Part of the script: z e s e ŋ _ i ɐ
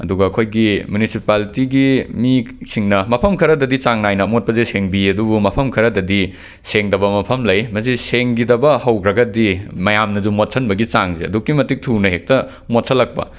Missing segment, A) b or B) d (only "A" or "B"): A